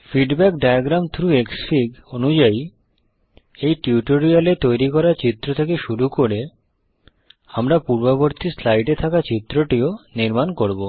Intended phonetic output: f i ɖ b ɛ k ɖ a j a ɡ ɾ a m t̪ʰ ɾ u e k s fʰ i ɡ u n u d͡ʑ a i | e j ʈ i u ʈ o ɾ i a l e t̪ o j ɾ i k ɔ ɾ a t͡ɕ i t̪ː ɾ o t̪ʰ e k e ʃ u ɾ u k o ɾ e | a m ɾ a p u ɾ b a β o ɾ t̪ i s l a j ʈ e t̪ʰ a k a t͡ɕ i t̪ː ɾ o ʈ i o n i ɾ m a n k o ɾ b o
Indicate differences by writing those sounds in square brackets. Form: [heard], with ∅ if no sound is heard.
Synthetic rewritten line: f i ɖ b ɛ k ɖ a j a ɡ ɾ a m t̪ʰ ɾ u e k s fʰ i ɡ [o] n u d͡ʑ a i | e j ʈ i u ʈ o ɾ i a l e t̪ o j ɾ i k ɔ ɾ a t͡ɕ i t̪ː ɾ o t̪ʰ e k e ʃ u ɾ u k o ɾ e | a m ɾ a p u ɾ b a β o ɾ t̪ i s l a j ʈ e t̪ʰ a k a t͡ɕ i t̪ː ɾ o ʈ i o n i ɾ m a n k o ɾ b o